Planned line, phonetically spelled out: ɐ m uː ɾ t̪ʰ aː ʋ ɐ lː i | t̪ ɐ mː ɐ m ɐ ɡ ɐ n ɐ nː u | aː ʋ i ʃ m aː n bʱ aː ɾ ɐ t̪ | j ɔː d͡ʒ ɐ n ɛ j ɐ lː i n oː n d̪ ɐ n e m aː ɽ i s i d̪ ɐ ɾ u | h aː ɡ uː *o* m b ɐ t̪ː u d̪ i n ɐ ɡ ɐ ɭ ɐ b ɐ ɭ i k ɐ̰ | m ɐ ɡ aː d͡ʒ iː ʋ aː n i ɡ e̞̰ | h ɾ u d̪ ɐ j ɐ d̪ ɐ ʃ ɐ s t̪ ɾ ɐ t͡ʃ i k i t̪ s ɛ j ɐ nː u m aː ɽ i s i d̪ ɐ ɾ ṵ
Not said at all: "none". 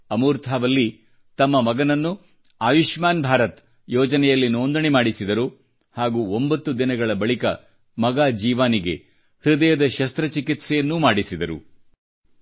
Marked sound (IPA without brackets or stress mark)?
o